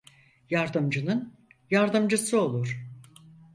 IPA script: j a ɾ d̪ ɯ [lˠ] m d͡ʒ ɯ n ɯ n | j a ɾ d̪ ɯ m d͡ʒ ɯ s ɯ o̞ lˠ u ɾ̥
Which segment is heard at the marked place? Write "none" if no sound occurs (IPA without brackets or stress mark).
none